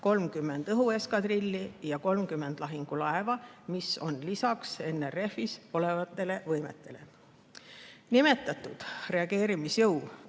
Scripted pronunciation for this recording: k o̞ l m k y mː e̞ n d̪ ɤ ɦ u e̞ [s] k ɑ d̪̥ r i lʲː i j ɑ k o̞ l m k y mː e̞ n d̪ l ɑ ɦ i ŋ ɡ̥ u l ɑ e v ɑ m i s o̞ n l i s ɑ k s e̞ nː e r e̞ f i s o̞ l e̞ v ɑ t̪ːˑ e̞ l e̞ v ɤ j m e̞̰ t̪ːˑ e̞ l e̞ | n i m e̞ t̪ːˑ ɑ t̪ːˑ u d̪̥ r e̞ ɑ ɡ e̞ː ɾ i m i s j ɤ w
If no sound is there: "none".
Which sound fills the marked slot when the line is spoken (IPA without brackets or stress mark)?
s